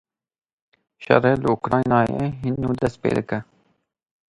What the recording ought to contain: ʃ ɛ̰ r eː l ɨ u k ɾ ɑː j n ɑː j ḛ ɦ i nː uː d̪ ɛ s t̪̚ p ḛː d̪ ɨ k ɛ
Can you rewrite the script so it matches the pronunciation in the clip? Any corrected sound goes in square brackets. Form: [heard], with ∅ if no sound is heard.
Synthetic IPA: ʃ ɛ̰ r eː l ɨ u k ɾ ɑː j n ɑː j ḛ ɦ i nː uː d̪ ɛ s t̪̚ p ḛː d̪ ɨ k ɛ